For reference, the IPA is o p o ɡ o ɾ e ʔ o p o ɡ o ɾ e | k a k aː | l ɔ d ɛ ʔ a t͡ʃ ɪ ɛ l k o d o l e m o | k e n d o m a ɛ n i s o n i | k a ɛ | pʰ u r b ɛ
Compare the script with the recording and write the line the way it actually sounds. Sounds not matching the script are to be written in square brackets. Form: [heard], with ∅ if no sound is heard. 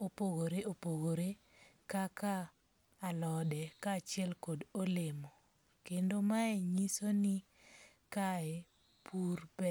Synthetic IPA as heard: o p o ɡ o ɾ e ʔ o p o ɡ o ɾ e | k a k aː | l ɔ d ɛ [k] a t͡ʃ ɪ ɛ l k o d o l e m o | k e n d o m a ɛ [ɲ] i s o n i | k a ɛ | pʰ u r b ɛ